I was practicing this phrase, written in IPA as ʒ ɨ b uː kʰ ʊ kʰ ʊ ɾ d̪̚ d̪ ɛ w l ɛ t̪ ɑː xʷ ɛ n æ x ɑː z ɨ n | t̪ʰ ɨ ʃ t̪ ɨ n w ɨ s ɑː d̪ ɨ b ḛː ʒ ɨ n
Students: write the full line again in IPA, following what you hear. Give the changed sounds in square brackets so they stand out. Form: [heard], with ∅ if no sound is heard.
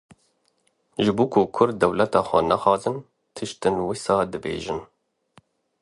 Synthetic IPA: ʒ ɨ b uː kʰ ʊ kʰ ʊ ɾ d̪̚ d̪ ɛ w l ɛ t̪ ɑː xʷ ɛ n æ x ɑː z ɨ n | t̪ʰ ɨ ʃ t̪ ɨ n w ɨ s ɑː d̪ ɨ b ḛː ʒ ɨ n